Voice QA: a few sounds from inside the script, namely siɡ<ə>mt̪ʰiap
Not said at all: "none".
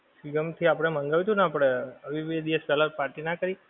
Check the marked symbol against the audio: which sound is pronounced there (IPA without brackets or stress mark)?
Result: ə